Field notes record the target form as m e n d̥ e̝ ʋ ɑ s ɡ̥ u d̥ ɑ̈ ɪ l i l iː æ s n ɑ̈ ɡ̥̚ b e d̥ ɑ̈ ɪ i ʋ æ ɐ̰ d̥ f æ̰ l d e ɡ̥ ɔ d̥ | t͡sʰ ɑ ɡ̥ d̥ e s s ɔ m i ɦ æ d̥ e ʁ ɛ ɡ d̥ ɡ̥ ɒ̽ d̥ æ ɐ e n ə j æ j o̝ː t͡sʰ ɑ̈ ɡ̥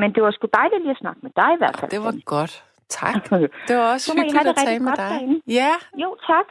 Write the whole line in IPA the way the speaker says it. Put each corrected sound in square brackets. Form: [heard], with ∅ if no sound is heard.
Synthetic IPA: m e n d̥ e̝ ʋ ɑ s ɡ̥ u d̥ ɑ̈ ɪ l i l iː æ s n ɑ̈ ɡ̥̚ [m] e d̥ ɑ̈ ɪ i ʋ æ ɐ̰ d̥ f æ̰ l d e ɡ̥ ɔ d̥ | t͡sʰ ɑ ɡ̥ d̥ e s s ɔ m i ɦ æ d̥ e ʁ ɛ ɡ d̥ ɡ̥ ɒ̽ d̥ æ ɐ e n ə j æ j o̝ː t͡sʰ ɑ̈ ɡ̥